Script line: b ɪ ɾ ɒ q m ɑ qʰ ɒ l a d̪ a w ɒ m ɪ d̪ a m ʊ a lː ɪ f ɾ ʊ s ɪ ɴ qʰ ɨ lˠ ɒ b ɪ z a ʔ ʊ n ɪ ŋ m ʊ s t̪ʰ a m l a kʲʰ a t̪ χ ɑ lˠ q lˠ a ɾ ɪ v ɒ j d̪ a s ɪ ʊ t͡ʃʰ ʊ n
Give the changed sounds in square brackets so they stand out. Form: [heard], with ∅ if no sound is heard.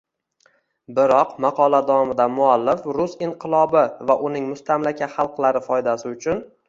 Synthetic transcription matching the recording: b ɪ ɾ ɒ q m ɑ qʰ ɒ l a d̪ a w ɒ m ɪ d̪ a m ʊ a lː ɪ f ɾ ʊ s ɪ ɴ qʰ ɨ lˠ ɒ b ɪ [v] a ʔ ʊ n ɪ ŋ m ʊ s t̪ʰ a m l a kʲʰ a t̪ χ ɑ lˠ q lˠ a ɾ ɪ [f] ɒ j d̪ a s ɪ ʊ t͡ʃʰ ʊ n